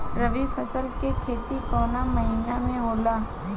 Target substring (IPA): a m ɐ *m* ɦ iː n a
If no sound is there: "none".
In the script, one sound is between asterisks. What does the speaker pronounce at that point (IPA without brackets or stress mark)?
none